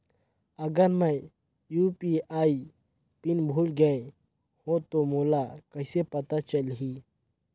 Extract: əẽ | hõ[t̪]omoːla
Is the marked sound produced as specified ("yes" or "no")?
yes